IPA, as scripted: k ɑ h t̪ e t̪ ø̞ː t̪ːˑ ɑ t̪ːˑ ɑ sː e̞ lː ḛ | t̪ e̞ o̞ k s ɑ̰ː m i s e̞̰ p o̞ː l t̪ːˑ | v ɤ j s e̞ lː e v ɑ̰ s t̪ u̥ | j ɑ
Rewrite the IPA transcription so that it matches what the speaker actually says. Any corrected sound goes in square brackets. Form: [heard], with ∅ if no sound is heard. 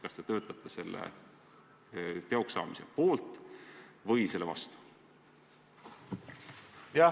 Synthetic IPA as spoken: k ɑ [s] t̪ e t̪ ø̞ː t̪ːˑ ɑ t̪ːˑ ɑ [s] e̞ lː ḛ | t̪ e̞ o̞ k s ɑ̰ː m i s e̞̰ p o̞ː l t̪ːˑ | v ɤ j s e̞ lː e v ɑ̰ s t̪ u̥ | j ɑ